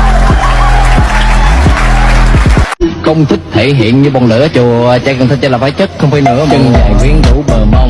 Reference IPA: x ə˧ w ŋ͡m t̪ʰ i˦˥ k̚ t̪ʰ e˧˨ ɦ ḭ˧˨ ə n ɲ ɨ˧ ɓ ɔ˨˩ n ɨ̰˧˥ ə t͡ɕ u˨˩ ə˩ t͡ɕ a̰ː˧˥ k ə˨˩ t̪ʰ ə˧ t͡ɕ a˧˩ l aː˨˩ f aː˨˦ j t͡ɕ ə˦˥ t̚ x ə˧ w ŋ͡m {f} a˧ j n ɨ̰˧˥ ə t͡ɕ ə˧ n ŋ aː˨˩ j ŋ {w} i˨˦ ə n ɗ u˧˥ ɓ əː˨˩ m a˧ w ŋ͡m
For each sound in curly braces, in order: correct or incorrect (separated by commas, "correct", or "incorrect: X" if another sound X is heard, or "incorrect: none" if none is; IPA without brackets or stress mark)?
correct, correct